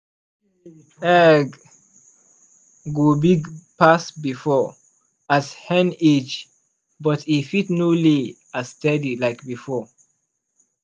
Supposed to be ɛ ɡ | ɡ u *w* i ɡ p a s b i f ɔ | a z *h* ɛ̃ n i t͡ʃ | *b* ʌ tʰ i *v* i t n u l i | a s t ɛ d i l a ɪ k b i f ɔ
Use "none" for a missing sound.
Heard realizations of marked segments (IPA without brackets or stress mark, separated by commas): b, h, b, f